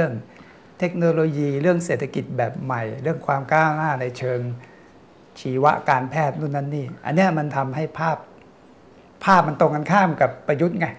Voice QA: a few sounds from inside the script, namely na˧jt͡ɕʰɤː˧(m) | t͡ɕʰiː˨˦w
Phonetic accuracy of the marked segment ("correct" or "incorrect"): incorrect